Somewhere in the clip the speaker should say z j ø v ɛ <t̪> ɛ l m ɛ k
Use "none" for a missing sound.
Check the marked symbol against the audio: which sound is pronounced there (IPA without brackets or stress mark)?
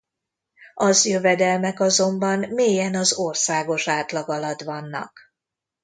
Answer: d̪